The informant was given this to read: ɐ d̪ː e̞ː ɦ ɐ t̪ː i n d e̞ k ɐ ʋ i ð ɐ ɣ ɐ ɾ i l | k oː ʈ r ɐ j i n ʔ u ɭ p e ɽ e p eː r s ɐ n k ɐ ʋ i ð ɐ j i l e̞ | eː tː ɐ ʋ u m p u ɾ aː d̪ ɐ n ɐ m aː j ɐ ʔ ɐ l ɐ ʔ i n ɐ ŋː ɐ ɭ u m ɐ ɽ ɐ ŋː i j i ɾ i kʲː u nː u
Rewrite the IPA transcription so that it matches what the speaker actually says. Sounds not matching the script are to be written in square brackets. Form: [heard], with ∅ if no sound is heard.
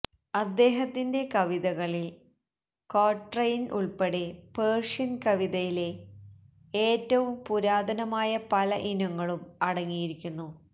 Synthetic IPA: ɐ d̪ː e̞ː ɦ ɐ t̪ː i n d e̞ k ɐ ʋ i ð ɐ ɣ ɐ [ɭ] i l | k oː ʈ r ɐ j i n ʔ u ɭ p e ɽ e p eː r [ʂ] ɐ n k ɐ ʋ i ð ɐ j i l e̞ | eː tː ɐ ʋ u m p u ɾ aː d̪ ɐ n ɐ m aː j ɐ [p] ɐ l ɐ ʔ i n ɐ ŋː ɐ ɭ u m ɐ ɽ ɐ ŋː i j i ɾ i kʲː u nː u